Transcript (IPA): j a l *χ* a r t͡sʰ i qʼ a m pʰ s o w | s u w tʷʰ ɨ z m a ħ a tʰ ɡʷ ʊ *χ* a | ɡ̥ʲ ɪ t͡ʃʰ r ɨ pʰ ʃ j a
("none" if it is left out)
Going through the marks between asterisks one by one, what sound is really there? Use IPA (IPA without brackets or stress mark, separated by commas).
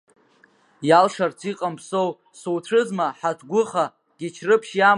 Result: ʂ, χ